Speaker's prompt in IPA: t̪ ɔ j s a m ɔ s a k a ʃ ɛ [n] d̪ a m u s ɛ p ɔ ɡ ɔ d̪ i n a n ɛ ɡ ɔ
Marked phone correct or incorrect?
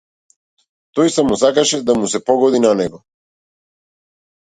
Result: incorrect